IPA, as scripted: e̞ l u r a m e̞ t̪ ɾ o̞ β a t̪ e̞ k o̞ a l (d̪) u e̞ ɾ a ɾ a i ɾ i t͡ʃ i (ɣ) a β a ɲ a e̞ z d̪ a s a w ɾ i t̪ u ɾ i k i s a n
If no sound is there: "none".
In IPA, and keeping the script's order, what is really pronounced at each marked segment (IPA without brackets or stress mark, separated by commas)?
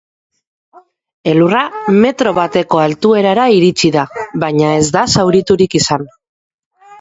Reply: t̪, ð